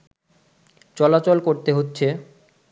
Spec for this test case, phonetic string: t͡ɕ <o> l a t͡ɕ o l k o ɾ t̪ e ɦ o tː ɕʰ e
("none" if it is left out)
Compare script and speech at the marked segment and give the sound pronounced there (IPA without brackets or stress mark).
ɔ